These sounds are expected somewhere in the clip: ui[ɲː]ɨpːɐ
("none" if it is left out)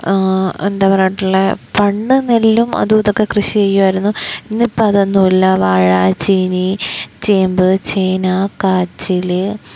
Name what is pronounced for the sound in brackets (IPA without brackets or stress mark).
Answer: nː